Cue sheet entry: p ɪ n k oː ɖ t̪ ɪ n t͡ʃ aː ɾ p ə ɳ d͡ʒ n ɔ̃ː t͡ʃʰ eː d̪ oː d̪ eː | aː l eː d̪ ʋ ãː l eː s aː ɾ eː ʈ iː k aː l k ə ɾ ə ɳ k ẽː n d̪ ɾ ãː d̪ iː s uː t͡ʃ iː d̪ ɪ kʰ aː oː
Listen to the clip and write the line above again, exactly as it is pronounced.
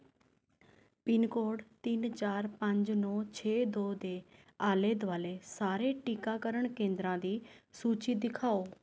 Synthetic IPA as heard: p ɪ n k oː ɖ t̪ ɪ n t͡ʃ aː ɾ p ə ɲ d͡ʒ n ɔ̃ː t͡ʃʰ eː d̪ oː d̪ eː | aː l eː d̪ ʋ aː l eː s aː ɾ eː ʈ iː k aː k ə ɾ ə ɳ k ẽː n d̪ ɾ ãː d̪ iː s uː t͡ʃ iː d̪ ɪ kʰ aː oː